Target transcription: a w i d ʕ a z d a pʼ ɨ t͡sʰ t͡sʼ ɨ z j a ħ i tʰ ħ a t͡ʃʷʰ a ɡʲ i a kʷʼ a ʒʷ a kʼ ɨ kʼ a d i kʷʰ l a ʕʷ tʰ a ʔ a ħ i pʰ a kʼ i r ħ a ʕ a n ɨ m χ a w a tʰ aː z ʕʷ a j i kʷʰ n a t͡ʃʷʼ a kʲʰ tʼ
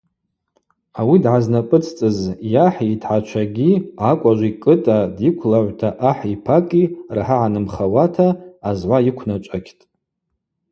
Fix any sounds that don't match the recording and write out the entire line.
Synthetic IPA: a w i d ʕ a z n a pʼ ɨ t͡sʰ t͡sʼ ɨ z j a ħ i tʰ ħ a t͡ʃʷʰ a ɡʲ i a kʷʼ a ʒʷ i kʼ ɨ tʼ a d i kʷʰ l a ʕʷ tʰ a ʔ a ħ i pʰ a kʼ i r ħ a ʕ a n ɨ m χ a w a tʰ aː z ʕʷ a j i kʷʰ n a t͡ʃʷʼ a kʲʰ tʼ